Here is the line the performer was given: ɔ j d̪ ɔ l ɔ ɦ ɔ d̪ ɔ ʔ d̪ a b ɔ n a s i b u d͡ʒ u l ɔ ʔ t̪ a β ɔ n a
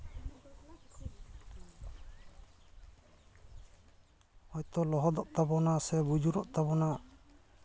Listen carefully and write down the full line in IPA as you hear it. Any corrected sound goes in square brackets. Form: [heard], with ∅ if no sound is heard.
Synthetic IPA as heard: ɔ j [t̪] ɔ l ɔ ɦ ɔ d̪ ɔ ʔ [t̪] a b ɔ n a s [ɛ] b u d͡ʒ u [ɾ] ɔ ʔ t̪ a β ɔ n a